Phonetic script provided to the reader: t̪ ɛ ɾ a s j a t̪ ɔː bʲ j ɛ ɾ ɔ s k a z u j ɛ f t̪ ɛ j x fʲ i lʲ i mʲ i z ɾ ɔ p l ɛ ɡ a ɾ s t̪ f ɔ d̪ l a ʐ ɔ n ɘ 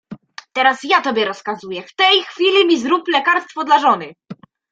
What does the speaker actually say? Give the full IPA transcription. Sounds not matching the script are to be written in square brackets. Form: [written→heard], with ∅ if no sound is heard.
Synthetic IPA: t̪ ɛ ɾ a s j a t̪ [ɔː→ɔ] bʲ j ɛ ɾ ɔ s k a z u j ɛ f t̪ ɛ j x fʲ i lʲ i mʲ i z ɾ [ɔ→u] p l ɛ [ɡ→k] a ɾ s t̪ f ɔ d̪ l a ʐ ɔ n ɘ